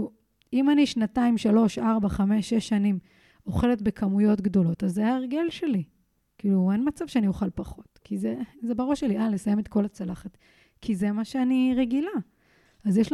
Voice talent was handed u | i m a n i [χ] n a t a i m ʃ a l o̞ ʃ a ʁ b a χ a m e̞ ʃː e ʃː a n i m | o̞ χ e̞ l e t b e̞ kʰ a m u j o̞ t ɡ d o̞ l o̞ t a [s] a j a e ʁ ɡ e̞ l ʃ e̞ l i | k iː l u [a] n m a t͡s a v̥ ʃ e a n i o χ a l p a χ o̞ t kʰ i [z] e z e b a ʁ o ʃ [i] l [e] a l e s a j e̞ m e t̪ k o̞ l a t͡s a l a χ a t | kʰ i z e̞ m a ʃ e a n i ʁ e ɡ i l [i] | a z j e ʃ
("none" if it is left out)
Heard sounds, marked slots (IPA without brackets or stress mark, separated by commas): ʃ, z, e, z, e, i, a